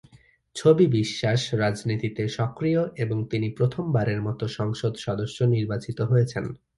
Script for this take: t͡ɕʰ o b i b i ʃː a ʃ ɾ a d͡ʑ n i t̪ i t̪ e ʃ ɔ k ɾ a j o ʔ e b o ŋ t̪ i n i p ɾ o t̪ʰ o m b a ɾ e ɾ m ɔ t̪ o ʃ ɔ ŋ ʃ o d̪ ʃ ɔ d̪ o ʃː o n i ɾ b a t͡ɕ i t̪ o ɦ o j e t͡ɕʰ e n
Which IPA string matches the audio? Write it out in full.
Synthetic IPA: t͡ɕʰ o b i b i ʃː a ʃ ɾ a d͡ʑ n i t̪ i t̪ e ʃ ɔ k ɾ i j o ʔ e b o ŋ t̪ i n i p ɾ o t̪ʰ o m b a ɾ e ɾ m ɔ t̪ o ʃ ɔ ŋ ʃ o d̪ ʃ ɔ d̪ o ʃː o n i ɾ b a t͡ɕ i t̪ o ɦ o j e t͡ɕʰ e n